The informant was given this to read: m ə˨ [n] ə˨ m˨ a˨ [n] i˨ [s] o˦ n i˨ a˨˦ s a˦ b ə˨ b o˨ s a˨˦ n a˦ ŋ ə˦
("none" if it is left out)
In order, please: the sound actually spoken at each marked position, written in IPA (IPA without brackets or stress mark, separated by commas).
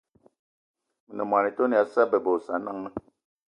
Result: n, n, t